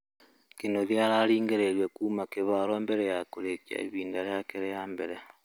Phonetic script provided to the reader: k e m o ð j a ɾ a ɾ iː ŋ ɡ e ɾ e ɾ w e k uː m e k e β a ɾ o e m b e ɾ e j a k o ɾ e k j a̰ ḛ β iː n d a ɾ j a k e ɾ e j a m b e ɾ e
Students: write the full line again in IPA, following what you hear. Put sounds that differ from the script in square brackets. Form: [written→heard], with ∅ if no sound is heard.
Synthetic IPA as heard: k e [m→n] o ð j a ɾ a ɾ iː ŋ ɡ e ɾ e ɾ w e k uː m [e→a] k e β a ɾ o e m b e ɾ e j a k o ɾ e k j a̰ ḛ β iː n d a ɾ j a k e ɾ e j a m b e ɾ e